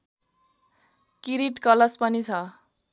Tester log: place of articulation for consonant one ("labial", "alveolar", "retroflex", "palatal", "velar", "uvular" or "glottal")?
velar